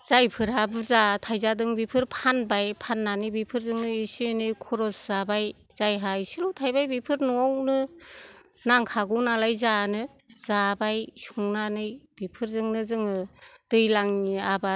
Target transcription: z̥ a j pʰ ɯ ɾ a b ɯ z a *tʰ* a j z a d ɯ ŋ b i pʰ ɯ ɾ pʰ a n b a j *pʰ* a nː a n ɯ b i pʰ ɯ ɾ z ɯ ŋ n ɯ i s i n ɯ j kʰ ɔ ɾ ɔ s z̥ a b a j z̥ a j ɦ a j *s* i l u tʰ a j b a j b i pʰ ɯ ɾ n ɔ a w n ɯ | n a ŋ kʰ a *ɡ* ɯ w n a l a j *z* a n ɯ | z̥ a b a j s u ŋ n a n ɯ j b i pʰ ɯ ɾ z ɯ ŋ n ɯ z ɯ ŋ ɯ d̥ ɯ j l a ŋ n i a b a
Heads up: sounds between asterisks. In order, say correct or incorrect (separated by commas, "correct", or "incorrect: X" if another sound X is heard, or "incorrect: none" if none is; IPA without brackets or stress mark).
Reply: correct, correct, correct, correct, correct